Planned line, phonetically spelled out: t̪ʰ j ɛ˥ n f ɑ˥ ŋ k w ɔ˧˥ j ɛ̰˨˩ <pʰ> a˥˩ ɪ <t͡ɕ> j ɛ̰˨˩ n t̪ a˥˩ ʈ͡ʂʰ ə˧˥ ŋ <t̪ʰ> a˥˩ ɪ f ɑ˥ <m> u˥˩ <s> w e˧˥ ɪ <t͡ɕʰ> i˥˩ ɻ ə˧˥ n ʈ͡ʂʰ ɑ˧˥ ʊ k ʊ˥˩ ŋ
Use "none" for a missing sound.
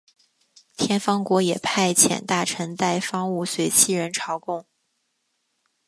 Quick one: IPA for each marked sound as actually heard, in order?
pʰ, t͡ɕʰ, t̪, ŋ, s, t͡ɕʰ

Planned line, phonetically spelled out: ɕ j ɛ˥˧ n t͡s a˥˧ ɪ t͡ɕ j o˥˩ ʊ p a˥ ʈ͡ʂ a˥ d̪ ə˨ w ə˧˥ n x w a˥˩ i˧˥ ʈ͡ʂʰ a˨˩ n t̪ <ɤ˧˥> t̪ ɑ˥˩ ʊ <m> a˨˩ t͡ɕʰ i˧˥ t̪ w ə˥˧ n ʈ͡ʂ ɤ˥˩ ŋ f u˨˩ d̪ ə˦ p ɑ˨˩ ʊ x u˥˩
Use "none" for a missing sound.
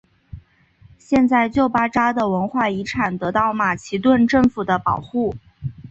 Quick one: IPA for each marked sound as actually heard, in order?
ɤ˧˥, m

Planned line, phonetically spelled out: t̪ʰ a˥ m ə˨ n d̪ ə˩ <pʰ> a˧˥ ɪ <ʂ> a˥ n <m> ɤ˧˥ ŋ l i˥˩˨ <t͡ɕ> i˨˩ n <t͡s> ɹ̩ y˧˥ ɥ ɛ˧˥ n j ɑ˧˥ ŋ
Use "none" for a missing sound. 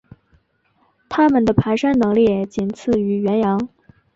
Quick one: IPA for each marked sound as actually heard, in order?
pʰ, ʂ, n, t͡ɕ, t͡sʰ

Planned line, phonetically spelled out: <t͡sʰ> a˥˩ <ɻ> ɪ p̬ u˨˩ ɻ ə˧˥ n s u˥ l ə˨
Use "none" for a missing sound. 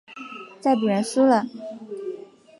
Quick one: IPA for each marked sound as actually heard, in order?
t͡s, none

